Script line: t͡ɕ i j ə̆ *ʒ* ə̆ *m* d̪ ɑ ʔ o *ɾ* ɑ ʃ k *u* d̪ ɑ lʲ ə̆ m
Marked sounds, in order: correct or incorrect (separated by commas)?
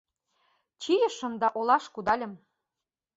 incorrect, correct, incorrect, correct